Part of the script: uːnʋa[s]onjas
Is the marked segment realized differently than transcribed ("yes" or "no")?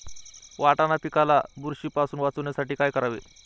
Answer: yes